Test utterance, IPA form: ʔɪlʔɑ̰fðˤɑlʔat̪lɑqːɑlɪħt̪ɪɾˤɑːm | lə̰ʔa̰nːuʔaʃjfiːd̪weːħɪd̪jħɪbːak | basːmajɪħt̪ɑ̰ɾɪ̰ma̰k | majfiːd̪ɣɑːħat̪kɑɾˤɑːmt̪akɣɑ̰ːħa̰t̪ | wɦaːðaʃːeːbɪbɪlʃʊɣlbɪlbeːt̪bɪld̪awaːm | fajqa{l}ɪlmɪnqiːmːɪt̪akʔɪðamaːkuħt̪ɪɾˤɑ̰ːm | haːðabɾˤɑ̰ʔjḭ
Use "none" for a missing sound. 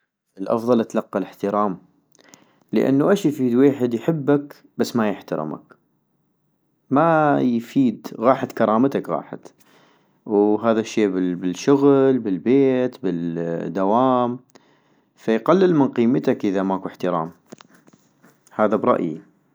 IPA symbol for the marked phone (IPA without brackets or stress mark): lː